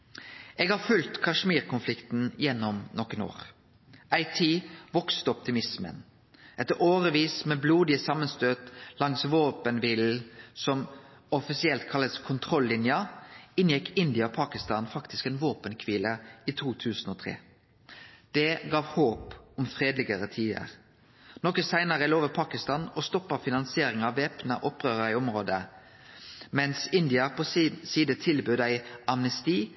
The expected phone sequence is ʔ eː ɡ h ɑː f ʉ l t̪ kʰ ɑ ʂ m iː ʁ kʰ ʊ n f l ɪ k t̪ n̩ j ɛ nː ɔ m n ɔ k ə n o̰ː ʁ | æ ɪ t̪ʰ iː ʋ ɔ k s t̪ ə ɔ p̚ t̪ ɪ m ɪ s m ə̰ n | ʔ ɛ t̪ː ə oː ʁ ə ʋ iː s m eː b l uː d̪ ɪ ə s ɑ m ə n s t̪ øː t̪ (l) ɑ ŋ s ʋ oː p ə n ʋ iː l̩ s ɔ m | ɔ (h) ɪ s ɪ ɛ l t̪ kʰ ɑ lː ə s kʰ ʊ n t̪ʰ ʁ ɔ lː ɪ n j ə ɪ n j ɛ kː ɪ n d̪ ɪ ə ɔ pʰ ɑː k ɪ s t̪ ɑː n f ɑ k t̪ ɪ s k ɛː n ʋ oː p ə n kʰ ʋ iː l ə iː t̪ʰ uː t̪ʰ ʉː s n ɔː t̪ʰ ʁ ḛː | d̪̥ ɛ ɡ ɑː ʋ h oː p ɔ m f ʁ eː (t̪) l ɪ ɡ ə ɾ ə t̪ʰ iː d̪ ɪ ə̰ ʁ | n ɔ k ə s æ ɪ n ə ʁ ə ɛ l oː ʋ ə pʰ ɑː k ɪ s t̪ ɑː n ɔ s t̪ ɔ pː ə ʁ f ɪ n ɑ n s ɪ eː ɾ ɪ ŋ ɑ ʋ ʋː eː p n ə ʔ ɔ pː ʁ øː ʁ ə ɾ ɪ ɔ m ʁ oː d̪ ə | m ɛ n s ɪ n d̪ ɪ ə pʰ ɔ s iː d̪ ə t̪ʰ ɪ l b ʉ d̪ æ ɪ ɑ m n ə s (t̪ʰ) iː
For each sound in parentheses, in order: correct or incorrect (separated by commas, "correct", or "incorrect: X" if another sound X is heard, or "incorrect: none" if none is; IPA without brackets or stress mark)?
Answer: correct, incorrect: f, incorrect: d̪, incorrect: t̪